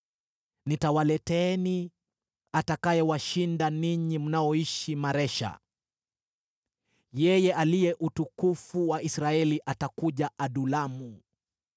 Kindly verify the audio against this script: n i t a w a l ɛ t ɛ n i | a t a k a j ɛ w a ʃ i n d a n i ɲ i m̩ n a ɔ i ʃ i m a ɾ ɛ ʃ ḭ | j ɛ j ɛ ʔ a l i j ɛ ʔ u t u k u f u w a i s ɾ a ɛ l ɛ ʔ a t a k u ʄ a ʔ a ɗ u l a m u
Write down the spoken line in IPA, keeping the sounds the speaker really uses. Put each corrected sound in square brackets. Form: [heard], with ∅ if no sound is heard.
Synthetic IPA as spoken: n i t a w a l ɛ t ɛ n i | a t a k a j ɛ w a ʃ i n d a n i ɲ i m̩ n a ɔ i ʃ i m a ɾ ɛ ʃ [a̰] | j ɛ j ɛ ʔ a l i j ɛ ʔ u t u k u f u w a i s ɾ a ɛ l [i] ʔ a t a k u ʄ a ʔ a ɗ u l a m u